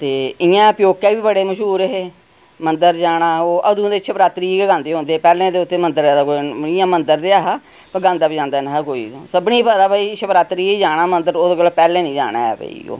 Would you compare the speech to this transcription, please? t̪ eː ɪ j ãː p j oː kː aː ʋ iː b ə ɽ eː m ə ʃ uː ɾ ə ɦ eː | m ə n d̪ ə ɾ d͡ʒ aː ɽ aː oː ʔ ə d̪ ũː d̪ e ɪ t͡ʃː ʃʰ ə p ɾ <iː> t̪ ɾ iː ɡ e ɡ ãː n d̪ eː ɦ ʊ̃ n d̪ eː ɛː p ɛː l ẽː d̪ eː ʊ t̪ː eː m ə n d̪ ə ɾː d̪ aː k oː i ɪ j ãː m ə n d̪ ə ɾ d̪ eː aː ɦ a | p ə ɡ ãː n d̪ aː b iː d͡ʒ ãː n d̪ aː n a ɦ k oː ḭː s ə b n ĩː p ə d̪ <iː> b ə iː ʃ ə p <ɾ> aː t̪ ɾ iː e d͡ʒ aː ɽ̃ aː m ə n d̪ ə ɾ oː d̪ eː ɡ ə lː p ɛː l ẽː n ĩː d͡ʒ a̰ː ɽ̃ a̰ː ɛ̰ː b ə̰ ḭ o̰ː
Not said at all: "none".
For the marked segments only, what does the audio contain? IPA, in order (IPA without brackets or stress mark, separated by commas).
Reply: aː, aː, ɾ